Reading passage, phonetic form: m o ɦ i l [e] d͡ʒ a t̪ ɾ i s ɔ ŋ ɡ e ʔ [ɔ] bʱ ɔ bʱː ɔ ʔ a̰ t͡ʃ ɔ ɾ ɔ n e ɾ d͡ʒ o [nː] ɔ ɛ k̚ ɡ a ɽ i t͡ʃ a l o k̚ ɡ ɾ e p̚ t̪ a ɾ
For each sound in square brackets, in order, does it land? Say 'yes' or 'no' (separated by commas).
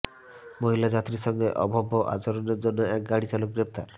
no, yes, yes